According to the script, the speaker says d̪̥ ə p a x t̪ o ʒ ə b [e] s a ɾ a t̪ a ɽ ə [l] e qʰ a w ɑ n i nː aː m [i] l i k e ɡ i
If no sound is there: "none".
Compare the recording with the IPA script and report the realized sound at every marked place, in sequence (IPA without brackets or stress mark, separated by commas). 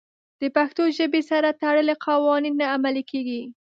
e, l, a